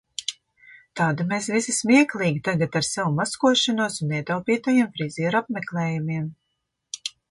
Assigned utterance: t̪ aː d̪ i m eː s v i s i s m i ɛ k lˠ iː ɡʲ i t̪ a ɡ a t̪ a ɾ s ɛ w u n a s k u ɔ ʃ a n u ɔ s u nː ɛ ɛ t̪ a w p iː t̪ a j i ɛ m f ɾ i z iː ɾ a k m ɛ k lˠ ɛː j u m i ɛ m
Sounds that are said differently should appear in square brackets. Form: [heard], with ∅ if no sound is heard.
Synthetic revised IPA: t̪ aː d̪ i m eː s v i s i s m i ɛ k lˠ iː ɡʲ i t̪ a ɡ a t̪ a ɾ s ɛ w u [m] a s k u ɔ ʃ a n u ɔ s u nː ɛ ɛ t̪ a w p iː t̪ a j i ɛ m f ɾ i z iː ɾ a [p] m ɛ k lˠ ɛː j u m i ɛ m